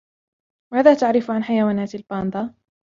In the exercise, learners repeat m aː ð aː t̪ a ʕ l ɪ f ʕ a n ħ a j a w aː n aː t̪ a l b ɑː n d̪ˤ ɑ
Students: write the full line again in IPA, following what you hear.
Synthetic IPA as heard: m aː ð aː t̪ a ʕ ɾ ɪ f ʕ a n ħ a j a w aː n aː t̪ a l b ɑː n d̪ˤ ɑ